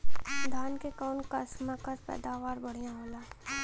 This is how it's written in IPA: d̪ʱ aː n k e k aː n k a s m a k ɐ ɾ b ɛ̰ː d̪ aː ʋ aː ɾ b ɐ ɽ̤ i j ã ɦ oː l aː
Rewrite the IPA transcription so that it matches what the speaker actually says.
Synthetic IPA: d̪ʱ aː n k e k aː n k a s m a k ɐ ɾ p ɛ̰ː d̪ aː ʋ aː ɾ b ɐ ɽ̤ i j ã ɦ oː l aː